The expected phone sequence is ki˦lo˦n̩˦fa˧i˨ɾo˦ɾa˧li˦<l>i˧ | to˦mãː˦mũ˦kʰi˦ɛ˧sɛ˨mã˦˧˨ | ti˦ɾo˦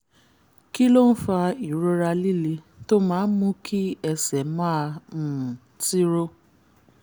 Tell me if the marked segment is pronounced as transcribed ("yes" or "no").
yes